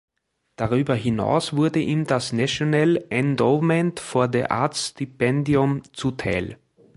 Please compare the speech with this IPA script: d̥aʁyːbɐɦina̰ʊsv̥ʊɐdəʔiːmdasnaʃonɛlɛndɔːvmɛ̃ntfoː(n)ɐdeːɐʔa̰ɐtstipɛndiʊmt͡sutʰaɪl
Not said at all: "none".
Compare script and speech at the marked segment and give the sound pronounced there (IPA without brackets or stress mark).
none